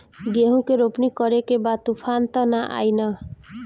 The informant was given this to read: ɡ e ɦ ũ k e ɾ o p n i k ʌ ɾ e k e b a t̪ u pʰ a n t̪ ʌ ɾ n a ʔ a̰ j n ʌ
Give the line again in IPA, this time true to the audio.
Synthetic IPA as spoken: ɡ e ɦ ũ k e ɾ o p n i k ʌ ɾ e k e b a t̪ u pʰ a n t̪ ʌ n a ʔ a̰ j n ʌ